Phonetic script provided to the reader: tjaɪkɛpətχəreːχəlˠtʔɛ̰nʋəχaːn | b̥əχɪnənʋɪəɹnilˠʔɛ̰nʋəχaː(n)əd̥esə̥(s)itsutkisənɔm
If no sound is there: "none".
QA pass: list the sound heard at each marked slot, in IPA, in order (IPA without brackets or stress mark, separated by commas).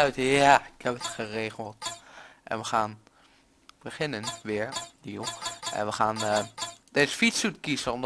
n, f